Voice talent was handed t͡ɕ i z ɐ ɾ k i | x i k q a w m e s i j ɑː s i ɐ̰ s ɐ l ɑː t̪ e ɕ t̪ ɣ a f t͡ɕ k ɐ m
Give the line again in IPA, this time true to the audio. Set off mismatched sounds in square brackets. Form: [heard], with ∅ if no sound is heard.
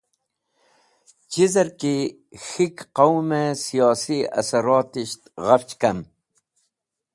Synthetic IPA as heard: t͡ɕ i z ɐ ɾ k i | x i k q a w m e s i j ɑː s i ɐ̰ s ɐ [ɾ] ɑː t̪ [i] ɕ t̪ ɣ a f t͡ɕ k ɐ m